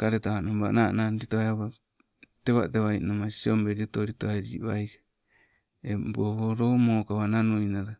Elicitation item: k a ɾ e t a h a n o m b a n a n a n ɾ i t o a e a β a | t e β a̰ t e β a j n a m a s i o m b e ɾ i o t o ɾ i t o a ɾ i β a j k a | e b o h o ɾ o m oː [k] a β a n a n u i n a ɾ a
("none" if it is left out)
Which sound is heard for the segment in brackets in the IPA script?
k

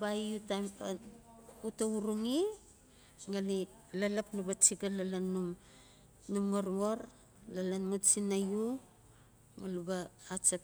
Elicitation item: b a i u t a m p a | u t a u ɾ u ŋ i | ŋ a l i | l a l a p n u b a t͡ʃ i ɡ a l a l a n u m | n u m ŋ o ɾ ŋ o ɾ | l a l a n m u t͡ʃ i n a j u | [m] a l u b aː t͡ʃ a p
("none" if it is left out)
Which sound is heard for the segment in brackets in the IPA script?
ŋ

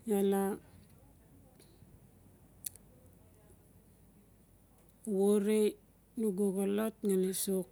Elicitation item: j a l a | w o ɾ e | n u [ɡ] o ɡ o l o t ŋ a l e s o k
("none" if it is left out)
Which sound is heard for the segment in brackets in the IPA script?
ɡ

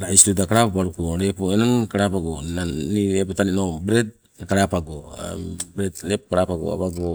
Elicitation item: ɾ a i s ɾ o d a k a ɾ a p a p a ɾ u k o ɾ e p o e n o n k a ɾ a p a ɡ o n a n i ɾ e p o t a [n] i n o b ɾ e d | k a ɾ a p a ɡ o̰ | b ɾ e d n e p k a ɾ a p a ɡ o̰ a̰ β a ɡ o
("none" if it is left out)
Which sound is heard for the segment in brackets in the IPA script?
n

